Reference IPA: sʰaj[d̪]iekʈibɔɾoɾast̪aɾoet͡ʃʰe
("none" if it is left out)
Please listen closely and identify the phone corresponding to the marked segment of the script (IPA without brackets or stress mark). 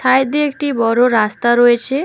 d̪